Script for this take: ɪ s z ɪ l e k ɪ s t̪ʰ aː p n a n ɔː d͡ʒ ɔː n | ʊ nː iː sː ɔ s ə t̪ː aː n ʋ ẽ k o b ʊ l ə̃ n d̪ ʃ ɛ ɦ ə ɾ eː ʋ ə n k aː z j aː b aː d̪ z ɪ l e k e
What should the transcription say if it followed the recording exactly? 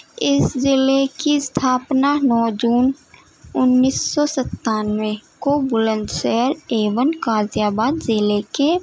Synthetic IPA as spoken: ɪ s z ɪ l e k i s t̪ʰ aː p n a n ɔː d͡ʒ uː n | ʊ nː iː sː ɔ s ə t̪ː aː n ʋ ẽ k o b ʊ l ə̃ n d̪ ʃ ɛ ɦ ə ɾ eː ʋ ə n k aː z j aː b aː d̪ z ɪ l e k e

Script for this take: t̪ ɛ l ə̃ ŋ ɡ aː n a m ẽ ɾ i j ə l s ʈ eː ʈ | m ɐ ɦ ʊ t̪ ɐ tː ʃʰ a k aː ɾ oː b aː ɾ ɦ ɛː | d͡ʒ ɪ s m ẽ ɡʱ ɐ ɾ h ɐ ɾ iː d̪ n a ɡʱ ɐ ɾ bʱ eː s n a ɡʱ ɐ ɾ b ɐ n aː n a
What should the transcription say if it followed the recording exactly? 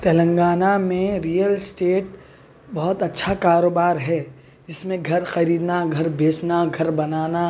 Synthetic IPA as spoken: t̪ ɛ l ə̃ ŋ ɡ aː n a m ẽ ɾ i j ə l s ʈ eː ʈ | b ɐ ɦ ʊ t̪ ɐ tː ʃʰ a k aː ɾ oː b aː ɾ ɦ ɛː | d͡ʒ ɪ s m ẽ ɡʱ ɐ ɾ x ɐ ɾ iː d̪ n a ɡʱ ɐ ɾ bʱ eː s n a ɡʱ ɐ ɾ b ɐ n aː n a

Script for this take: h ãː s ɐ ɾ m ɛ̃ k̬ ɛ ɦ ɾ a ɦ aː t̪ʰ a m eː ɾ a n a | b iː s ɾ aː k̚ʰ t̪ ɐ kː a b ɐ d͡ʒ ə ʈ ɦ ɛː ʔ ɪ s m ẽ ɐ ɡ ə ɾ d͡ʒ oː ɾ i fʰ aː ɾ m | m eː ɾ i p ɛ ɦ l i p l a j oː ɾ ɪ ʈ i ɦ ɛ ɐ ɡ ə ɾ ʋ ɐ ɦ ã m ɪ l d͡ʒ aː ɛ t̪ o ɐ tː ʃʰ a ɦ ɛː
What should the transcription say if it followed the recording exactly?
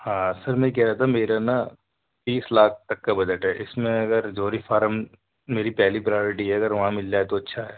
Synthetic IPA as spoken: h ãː s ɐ ɾ m ɛ̃ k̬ ɛ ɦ ɾ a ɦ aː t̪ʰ a m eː ɾ a n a | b iː s l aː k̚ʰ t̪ ɐ kː a b ɐ d͡ʒ ə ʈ ɦ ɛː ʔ ɪ s m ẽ ɐ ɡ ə ɾ d͡ʒ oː ɾ i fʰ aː ɾ m | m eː ɾ i p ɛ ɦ l i p ɾ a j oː ɾ ɪ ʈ i ɦ ɛ ɐ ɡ ə ɾ ʋ ɐ ɦ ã m ɪ l d͡ʒ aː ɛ t̪ o ɐ tː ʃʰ a ɦ ɛː

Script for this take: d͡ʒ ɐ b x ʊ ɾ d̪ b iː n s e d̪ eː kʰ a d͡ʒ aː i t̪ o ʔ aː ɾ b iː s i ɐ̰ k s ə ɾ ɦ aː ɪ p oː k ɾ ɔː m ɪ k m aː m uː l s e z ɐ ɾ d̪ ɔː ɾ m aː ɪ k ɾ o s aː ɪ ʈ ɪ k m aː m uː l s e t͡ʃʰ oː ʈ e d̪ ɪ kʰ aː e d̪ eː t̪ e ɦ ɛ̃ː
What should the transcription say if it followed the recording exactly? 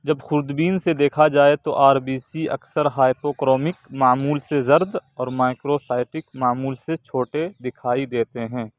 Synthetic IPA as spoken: d͡ʒ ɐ b x ʊ ɾ d̪ b iː n s e d̪ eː kʰ a d͡ʒ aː e t̪ o ʔ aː ɾ b iː s i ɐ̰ k s ə ɾ ɦ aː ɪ p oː k ɾ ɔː m ɪ k m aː m uː l s e z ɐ ɾ d̪ ɔː ɾ m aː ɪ k ɾ o s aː ɪ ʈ ɪ k m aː m uː l s e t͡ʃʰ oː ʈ e d̪ ɪ kʰ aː i d̪ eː t̪ e ɦ ɛ̃ː

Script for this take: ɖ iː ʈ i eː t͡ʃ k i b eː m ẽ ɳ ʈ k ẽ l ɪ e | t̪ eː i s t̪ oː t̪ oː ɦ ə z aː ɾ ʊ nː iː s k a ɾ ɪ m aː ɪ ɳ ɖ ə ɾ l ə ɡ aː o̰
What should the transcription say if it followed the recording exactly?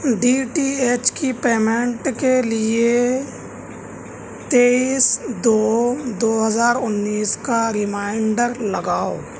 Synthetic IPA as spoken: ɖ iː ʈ i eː t͡ʃ k i p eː m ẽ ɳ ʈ k e l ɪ e | t̪ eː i s d̪ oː d̪ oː ɦ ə z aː ɾ ʊ nː iː s k a ɾ ɪ m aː ɪ ɳ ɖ ə ɾ l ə ɡ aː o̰

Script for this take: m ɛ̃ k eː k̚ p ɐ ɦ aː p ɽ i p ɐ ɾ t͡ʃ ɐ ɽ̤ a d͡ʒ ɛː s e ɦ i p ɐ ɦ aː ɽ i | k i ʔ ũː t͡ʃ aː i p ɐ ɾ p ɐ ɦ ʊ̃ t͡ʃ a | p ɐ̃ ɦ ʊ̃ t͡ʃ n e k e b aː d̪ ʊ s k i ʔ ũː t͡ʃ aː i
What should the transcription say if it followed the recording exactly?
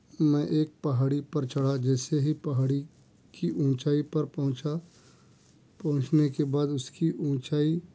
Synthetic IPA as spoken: m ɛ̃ ʔ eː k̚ p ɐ ɦ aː ɽ i p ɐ ɾ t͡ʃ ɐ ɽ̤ a d͡ʒ ɛː s e ɦ i p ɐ ɦ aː ɽ i | k i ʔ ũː t͡ʃ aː i p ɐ ɾ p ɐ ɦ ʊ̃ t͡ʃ a | p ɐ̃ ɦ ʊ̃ t͡ʃ n e k e b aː d̪ ʊ s k i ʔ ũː t͡ʃ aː i

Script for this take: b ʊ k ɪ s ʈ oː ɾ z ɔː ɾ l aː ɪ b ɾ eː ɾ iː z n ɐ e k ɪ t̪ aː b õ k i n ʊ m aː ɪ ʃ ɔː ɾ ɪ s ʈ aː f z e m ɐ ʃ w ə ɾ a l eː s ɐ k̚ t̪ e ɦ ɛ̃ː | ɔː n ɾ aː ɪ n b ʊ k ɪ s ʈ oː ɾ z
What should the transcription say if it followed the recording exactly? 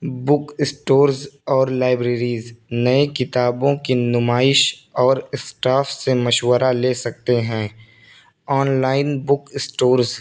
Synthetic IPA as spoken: b ʊ k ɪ s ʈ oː ɾ z ɔː ɾ l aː ɪ b ɾ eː ɾ iː z n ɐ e k ɪ t̪ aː b õ k i n ʊ m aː ɪ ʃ ɔː ɾ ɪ s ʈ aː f s e m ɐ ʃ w ə ɾ a l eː s ɐ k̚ t̪ e ɦ ɛ̃ː | ɔː n l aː ɪ n b ʊ k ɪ s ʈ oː ɾ z

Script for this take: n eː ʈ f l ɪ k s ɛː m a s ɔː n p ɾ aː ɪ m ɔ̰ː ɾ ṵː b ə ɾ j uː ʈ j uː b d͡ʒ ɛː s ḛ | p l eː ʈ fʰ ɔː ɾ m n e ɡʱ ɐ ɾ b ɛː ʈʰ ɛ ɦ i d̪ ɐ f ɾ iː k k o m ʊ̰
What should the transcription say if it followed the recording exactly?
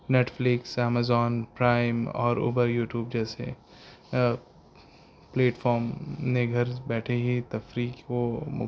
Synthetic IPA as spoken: n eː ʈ f l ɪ k s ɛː m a z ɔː n p ɾ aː ɪ m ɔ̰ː ɾ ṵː b ə ɾ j uː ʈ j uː b d͡ʒ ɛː s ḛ | p l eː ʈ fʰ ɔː ɾ m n e ɡʱ ɐ ɾ b ɛː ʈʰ e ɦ i t̪ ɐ f ɾ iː k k o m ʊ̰

